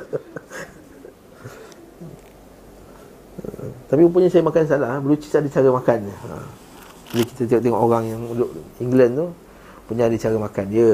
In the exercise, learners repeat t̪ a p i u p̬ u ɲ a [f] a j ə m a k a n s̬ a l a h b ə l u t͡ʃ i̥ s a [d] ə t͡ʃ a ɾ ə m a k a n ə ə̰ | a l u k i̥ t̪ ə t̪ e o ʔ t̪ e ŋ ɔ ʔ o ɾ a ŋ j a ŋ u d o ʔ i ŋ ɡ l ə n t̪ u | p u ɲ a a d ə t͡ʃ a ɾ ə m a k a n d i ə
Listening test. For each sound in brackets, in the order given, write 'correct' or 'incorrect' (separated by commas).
incorrect, correct